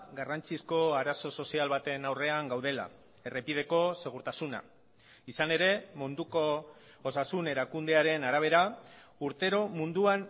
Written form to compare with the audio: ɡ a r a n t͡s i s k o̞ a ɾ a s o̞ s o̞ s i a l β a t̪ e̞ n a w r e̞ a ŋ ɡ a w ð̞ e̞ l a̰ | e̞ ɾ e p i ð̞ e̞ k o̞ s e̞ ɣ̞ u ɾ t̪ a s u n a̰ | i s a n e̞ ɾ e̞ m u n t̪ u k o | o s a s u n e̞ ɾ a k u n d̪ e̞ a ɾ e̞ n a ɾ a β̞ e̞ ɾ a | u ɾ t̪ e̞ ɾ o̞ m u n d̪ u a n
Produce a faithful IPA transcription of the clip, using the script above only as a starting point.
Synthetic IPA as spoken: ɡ a r a n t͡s i s k o̞ a ɾ a s o̞ s o̞ s i a l β a t̪ e̞ n a w r e̞ a ŋ ɡ a w ð̞ e̞ l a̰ | e̞ r e p i ð̞ e̞ k o̞ s e̞ ɣ̞ u ɾ t̪ a s u n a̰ | i s a n e̞ ɾ e̞ m u n d̪ u k o | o s a s u n e̞ ɾ a k u n d̪ e̞ a ɾ e̞ n a ɾ a β̞ e̞ ɾ a | u ɾ t̪ e̞ ɾ o̞ m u n d̪ u a n